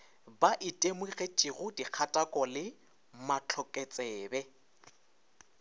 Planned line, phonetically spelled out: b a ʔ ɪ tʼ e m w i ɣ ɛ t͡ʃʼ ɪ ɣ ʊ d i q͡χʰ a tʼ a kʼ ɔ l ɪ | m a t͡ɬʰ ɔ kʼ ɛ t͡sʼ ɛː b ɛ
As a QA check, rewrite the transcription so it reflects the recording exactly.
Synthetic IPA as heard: b a ʔ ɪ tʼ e m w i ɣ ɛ t͡ʃʼ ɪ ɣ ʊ d i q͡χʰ a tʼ a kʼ ɔ l ɪ | m a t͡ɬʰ ɔ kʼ ɛ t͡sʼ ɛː b ɛ